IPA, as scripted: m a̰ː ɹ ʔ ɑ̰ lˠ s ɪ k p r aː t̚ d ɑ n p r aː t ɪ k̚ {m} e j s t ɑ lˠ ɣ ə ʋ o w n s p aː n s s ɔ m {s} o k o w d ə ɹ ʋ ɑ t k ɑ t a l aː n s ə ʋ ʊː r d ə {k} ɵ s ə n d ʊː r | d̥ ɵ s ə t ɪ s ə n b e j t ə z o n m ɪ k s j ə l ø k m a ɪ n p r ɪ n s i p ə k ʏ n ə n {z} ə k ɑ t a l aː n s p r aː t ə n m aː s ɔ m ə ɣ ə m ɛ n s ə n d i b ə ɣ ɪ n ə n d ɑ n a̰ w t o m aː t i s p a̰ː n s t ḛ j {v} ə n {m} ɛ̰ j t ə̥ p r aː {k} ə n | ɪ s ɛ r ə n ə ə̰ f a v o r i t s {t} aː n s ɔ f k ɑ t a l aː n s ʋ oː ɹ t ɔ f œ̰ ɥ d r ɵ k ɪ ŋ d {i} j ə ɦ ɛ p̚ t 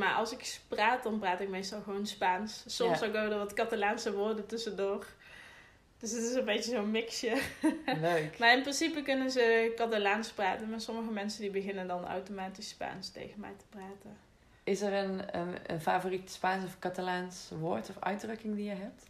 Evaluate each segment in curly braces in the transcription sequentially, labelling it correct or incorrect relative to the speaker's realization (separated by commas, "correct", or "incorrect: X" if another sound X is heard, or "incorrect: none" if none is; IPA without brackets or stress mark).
correct, correct, incorrect: t, correct, incorrect: ɣ, correct, incorrect: t, incorrect: p, correct